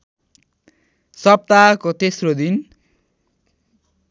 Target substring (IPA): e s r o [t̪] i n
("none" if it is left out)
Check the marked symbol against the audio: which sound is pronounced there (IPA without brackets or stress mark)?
d̪